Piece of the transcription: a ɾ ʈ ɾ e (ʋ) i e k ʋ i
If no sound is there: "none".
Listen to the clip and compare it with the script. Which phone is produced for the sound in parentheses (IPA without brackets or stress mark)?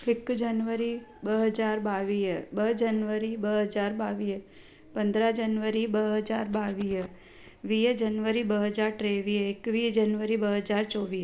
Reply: ʋ